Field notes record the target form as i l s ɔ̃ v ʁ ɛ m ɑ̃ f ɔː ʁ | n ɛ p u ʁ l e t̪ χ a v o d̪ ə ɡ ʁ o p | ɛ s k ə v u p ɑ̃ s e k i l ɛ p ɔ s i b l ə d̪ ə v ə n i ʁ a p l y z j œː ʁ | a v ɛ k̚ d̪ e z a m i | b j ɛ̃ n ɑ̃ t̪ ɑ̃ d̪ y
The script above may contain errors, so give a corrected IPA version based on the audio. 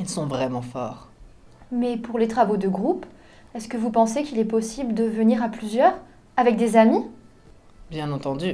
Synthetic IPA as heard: i l s ɔ̃ v ʁ ɛ m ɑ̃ f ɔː ʁ | m ɛ p u ʁ l e t̪ χ a v o d̪ ə ɡ ʁ u p | ɛ s k ə v u p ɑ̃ s e k i l ɛ p ɔ s i b l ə d̪ ə v ə n i ʁ a p l y z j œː ʁ | a v ɛ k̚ d̪ e z a m i | b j ɛ̃ n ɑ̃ t̪ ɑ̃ d̪ y